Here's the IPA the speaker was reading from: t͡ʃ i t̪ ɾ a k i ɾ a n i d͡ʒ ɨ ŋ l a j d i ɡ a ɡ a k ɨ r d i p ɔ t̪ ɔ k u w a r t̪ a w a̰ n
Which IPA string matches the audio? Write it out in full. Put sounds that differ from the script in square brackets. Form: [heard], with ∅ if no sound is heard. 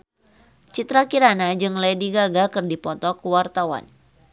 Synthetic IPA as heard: t͡ʃ i t̪ ɾ a k i ɾ a n [a] d͡ʒ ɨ ŋ l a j d i ɡ a ɡ a k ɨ r d i p ɔ t̪ ɔ k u w a r t̪ a w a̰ n

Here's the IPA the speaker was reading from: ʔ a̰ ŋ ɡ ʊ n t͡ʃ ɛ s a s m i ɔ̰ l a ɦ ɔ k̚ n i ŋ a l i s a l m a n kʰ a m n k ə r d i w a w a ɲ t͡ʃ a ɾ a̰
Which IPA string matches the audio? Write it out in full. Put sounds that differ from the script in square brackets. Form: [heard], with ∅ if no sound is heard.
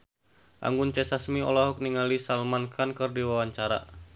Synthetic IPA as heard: ʔ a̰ ŋ ɡ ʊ n t͡ʃ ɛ s a s m i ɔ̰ l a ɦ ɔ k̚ n i ŋ a l i s a l m a n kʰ a [∅] n k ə r d i w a w a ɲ t͡ʃ a ɾ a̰

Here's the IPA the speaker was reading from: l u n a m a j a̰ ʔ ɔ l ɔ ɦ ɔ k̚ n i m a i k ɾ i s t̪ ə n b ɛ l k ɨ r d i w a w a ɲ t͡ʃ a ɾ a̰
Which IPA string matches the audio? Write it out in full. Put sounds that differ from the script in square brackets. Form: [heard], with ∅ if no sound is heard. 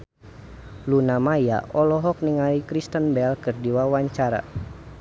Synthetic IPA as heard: l u n a m a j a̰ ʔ ɔ l ɔ ɦ ɔ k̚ n i [ŋ] a i k ɾ i s t̪ ə n b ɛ l k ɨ r d i w a w a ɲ t͡ʃ a ɾ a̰

